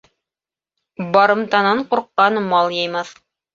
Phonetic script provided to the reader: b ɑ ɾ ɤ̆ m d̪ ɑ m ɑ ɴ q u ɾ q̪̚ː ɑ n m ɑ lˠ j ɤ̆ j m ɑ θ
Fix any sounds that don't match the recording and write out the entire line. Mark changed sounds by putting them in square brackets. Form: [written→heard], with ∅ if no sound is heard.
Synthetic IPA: b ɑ ɾ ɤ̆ m [d̪→t̪] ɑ [m→n] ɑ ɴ q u ɾ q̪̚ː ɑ n m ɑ lˠ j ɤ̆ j m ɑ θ